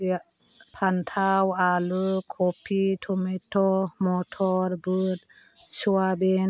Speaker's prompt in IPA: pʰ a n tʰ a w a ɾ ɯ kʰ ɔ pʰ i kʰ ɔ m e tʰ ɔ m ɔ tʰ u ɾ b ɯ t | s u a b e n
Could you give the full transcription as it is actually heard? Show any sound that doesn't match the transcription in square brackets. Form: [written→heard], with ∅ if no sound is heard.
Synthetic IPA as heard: pʰ a n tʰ a w a [ɾ→l] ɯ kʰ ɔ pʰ i [kʰ→tʰ] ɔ m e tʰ ɔ m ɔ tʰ [u→ɔ] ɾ b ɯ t | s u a b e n